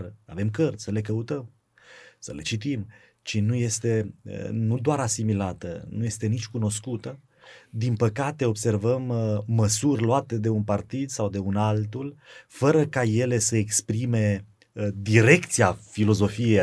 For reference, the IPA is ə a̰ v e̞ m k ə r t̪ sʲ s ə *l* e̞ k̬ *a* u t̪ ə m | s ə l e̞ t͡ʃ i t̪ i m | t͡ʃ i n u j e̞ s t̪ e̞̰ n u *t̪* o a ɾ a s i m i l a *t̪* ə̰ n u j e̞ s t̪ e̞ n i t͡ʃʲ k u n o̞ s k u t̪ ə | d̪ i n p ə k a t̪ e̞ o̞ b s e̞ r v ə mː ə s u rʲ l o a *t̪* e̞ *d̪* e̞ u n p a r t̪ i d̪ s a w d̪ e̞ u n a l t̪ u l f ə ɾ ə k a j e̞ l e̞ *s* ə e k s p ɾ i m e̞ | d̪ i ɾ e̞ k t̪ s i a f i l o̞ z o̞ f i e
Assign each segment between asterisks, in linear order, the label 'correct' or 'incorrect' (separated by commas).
correct, incorrect, incorrect, correct, correct, correct, correct